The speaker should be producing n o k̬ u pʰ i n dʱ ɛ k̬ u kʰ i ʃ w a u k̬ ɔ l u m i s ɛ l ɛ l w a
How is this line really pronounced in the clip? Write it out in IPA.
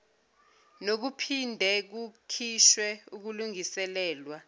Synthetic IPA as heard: n o k̬ u pʰ i n dʱ ɛ k̬ u kʰ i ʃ w ɛ u k̬ u l u ŋ i s ɛ l ɛː l w a